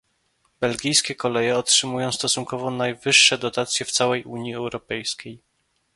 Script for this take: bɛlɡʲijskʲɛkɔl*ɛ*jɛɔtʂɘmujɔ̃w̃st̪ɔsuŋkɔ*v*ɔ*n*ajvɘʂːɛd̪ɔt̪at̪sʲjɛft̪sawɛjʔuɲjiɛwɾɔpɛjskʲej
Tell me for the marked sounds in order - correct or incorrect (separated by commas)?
correct, correct, correct